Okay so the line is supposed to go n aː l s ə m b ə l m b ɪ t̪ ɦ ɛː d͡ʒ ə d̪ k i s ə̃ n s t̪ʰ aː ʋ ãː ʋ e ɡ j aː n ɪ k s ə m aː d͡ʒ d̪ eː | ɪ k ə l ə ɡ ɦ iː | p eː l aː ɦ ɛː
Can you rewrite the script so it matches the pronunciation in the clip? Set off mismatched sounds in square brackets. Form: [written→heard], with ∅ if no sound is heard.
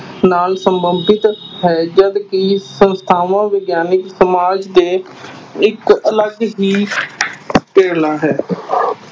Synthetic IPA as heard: n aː l s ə m b ə [l→∅] m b ɪ t̪ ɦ ɛː d͡ʒ ə d̪ k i s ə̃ n s t̪ʰ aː ʋ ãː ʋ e ɡ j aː n ɪ k s ə m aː d͡ʒ d̪ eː | ɪ k ə l ə ɡ ɦ iː | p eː l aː ɦ ɛː